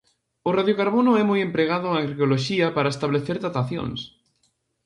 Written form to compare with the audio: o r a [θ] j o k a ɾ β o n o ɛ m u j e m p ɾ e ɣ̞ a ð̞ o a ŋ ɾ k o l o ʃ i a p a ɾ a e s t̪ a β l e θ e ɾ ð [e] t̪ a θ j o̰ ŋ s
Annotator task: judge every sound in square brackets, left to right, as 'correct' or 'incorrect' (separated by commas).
incorrect, incorrect